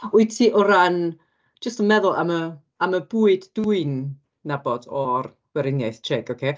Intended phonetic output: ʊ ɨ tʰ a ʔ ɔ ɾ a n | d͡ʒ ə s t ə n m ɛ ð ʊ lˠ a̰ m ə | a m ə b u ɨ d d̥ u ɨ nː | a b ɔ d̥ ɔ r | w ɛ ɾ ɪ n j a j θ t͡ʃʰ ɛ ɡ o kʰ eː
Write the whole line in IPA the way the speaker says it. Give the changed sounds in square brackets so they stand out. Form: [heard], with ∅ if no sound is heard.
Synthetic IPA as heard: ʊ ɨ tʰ [i] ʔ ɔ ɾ a n | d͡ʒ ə s t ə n m ɛ ð ʊ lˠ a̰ m ə | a m ə b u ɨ d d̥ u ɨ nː | a b ɔ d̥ ɔ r | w ɛ ɾ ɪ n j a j θ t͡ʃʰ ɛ ɡ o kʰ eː